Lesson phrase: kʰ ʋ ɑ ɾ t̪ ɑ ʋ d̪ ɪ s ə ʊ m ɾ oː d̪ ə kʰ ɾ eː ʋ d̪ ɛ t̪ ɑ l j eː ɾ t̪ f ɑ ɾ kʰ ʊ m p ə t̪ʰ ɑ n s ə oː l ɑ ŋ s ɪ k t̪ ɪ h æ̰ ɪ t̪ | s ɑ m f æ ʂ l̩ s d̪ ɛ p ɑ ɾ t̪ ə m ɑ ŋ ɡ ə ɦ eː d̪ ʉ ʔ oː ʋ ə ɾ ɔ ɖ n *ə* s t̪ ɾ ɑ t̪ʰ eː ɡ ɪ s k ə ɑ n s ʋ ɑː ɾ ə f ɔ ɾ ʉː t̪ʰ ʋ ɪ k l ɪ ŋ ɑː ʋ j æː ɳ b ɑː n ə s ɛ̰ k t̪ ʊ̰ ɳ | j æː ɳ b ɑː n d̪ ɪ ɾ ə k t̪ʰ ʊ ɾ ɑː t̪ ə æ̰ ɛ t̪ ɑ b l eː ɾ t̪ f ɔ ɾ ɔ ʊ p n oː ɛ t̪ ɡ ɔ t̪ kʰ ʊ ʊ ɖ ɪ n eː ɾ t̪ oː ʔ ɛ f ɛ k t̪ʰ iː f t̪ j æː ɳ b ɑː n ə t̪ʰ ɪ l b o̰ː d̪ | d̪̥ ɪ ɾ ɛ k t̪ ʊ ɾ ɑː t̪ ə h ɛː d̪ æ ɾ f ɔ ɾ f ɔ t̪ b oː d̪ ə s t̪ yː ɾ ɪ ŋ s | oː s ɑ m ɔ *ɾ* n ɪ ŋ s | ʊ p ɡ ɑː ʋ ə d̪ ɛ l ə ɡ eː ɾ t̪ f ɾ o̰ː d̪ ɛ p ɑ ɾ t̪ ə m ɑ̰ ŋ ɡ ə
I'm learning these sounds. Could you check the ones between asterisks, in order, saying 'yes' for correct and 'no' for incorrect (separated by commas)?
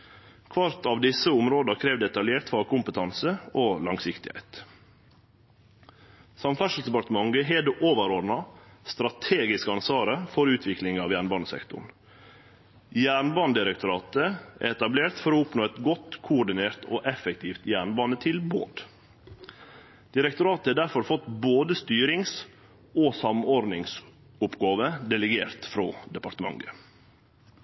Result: no, yes